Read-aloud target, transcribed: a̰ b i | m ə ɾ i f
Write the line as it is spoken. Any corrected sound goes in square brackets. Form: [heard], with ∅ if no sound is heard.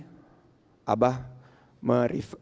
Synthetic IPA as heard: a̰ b [a] | m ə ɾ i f